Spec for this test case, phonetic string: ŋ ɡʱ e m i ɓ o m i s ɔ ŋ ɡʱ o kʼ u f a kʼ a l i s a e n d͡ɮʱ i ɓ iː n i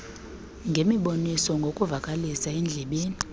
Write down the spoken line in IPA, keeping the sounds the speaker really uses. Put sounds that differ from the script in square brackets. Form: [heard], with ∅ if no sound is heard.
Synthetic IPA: ŋ ɡʱ e m i ɓ o [n] i s ɔ ŋ ɡʱ o kʼ u [v] a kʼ a l i s a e n d͡ɮʱ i ɓ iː n i